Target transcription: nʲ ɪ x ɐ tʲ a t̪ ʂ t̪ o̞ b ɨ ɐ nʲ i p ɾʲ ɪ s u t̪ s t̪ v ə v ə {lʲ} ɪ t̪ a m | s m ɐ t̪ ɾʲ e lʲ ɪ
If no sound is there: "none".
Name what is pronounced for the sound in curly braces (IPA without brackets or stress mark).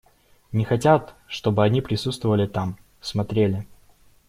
lʲ